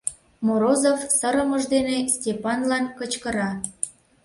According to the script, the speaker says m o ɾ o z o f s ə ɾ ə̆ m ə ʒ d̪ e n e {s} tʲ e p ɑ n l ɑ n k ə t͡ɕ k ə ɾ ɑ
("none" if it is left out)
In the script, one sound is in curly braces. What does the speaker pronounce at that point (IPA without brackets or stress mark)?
s